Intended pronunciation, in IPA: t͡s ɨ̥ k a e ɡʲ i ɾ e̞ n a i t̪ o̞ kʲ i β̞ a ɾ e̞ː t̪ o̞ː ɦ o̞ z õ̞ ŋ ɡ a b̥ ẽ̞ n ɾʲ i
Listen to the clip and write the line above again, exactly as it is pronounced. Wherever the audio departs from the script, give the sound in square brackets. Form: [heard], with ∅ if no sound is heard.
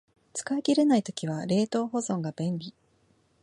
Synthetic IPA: t͡s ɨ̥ k a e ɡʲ i ɾ e̞ n a i t̪ o̞ kʲ i β̞ a ɾ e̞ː t̪ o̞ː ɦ o̞ z õ̞ ŋ ɡ a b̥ ẽ̞ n ɾʲ i